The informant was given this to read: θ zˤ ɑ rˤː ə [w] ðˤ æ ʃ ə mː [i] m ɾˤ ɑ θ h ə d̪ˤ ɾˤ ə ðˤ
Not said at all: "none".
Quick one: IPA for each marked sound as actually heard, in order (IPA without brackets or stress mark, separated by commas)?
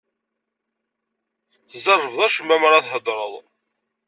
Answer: v, æ